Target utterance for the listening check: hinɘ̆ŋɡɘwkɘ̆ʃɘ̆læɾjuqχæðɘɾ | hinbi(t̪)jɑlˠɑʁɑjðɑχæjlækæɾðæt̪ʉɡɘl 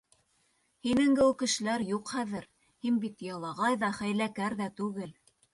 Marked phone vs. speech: correct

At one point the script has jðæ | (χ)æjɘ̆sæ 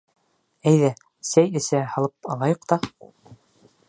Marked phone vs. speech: incorrect: s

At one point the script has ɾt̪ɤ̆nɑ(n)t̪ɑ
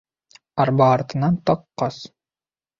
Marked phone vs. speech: correct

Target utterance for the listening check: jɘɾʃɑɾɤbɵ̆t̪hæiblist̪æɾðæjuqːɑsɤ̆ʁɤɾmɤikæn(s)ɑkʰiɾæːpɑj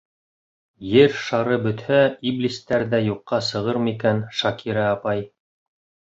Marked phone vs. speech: incorrect: ʃ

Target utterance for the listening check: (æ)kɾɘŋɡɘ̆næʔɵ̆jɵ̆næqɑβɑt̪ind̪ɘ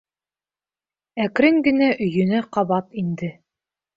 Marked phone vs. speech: correct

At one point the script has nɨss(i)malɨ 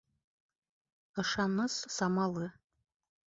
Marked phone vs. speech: incorrect: a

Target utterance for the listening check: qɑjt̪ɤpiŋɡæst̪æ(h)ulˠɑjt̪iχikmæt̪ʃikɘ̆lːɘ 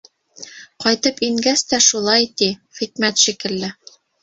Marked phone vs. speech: incorrect: ʃ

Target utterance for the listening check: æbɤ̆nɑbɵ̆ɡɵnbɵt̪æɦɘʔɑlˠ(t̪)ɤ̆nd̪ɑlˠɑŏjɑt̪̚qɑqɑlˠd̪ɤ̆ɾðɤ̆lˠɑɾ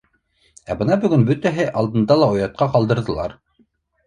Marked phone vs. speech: incorrect: d̪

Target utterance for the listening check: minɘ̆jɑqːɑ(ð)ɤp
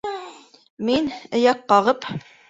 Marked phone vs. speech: incorrect: ʁ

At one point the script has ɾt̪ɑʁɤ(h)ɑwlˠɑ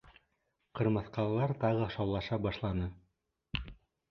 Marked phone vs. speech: incorrect: ʃ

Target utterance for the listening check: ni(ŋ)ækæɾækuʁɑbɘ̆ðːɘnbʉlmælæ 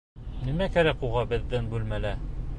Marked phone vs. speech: incorrect: m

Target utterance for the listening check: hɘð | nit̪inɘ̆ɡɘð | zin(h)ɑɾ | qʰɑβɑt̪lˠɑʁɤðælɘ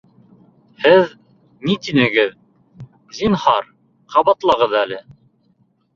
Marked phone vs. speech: correct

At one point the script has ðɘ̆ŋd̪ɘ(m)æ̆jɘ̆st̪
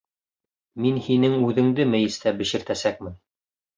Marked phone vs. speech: correct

